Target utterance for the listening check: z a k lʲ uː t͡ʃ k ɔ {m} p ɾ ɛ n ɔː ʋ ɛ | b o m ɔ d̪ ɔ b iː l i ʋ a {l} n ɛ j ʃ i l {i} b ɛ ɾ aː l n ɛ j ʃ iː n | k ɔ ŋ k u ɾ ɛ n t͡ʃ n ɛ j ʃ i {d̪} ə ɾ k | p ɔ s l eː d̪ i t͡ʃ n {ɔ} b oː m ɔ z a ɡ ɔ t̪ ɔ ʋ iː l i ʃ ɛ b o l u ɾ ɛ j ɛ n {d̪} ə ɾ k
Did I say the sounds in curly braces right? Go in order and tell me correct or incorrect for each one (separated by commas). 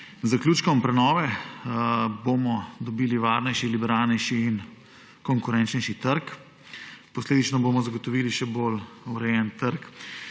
correct, incorrect, correct, incorrect, correct, incorrect